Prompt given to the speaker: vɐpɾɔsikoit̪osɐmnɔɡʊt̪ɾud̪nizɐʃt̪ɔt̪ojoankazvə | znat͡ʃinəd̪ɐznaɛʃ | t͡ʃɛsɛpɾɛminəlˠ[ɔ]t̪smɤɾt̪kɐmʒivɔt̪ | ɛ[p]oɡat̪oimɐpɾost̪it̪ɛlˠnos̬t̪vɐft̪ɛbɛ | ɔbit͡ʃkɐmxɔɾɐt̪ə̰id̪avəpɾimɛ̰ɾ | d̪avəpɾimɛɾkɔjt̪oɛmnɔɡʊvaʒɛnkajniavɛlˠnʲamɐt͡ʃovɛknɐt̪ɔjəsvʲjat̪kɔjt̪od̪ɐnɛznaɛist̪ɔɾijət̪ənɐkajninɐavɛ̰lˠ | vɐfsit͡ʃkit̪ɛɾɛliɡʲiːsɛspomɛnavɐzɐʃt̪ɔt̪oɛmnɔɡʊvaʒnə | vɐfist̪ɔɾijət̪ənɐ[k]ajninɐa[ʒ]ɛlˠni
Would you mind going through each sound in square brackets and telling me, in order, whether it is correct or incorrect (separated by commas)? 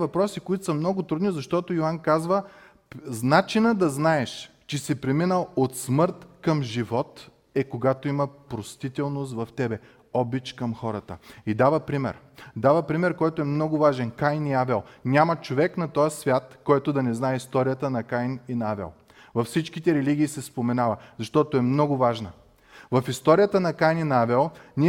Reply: incorrect, incorrect, correct, incorrect